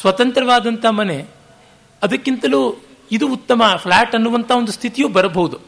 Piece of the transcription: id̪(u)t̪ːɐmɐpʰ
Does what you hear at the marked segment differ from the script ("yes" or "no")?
yes